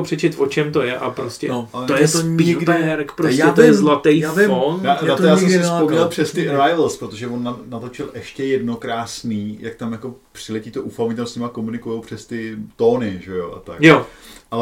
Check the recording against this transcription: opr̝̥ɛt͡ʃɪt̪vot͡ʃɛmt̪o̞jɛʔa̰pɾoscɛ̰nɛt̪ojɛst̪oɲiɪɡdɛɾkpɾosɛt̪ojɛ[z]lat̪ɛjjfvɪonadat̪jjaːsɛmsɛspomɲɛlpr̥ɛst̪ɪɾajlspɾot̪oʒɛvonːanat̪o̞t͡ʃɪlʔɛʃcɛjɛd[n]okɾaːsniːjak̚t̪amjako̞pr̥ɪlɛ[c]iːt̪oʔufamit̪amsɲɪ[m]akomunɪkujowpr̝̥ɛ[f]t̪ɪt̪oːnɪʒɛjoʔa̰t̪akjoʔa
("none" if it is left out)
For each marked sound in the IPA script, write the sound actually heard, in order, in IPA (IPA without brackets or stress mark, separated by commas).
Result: z, n, c, m, s